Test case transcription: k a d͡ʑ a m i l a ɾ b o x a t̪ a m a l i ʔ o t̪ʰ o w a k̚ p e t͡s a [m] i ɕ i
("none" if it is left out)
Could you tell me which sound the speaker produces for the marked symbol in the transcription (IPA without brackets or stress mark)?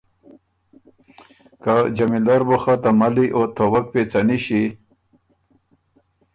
n